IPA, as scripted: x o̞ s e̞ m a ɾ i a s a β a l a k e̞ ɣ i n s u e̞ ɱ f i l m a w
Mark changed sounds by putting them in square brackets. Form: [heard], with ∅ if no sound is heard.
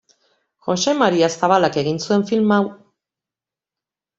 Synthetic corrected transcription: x o̞ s e̞ m a ɾ i a s a β a l a k e̞ ɣ i n s u e̞ ɱ f i l m a w